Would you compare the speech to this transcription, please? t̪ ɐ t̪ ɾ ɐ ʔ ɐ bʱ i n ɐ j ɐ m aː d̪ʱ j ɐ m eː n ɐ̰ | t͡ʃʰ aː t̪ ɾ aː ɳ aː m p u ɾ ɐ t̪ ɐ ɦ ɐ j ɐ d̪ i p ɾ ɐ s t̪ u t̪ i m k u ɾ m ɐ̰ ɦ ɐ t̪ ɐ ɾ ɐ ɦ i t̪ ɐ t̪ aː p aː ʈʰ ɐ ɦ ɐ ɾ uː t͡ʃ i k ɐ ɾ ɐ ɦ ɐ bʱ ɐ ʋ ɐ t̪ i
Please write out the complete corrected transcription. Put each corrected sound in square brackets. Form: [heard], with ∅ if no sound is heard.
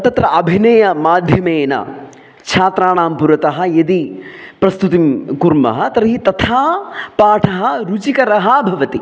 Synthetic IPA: t̪ ɐ t̪ ɾ ɐ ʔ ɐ bʱ i n ɐ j ɐ m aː d̪ʱ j ɐ m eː n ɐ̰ | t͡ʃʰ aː t̪ ɾ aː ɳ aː m p u ɾ ɐ t̪ ɐ ɦ ɐ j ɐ d̪ i p ɾ ɐ s t̪ u t̪ i m k u ɾ m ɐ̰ ɦ ɐ t̪ ɐ ɾ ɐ ɦ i t̪ ɐ [t̪ʰ] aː p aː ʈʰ ɐ ɦ ɐ ɾ [u] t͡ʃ i k ɐ ɾ ɐ ɦ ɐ bʱ ɐ ʋ ɐ t̪ i